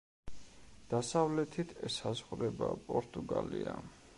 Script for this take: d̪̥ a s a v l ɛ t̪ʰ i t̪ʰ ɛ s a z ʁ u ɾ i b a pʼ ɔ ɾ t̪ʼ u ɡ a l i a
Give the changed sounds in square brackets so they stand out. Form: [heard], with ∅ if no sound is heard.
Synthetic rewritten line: d̪̥ a s a v l ɛ t̪ʰ i t̪ʰ ɛ s a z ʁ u ɾ [ɛ] b a pʼ ɔ ɾ t̪ʼ u ɡ a l i a